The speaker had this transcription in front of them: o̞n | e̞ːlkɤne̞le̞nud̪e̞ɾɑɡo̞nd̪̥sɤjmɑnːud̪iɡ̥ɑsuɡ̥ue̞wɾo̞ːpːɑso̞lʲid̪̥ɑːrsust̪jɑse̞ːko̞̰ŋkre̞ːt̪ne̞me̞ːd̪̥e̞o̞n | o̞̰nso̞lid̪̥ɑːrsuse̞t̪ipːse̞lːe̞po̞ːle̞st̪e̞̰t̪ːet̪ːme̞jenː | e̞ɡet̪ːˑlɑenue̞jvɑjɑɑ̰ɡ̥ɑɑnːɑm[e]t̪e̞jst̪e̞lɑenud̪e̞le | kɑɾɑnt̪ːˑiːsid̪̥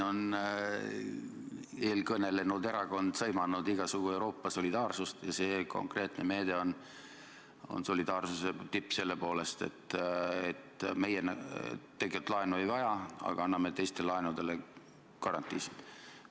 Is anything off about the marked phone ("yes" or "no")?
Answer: no